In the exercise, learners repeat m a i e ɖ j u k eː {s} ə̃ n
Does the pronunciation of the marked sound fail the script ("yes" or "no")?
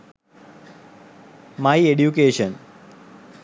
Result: yes